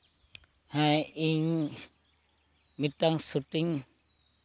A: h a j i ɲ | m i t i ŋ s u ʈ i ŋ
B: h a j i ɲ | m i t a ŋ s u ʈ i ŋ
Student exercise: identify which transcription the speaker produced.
B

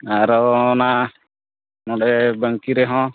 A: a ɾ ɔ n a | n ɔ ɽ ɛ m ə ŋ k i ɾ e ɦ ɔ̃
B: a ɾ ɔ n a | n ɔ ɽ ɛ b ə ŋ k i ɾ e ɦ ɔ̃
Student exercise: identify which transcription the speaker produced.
B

